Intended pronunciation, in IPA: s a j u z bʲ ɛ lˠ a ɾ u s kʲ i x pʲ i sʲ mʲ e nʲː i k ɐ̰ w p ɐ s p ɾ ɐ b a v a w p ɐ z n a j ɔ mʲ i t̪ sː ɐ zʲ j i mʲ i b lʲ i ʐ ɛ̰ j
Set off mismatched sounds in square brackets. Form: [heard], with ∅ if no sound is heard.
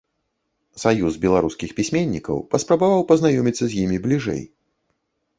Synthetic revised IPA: s a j u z bʲ ɛ lˠ a ɾ u s kʲ i x pʲ i sʲ mʲ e nʲː i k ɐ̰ w p ɐ s p ɾ ɐ b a v a w p ɐ z n a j ɔ mʲ i t̪ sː ɐ zʲ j i mʲ i b lʲ i ʐ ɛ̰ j